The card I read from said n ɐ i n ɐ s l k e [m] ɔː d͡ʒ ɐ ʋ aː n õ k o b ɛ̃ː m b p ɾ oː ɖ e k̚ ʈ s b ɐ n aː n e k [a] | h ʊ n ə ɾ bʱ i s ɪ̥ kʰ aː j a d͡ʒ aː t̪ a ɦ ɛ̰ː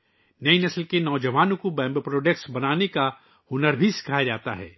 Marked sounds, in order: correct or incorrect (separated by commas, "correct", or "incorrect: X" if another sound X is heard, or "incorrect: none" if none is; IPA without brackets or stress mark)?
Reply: incorrect: n, correct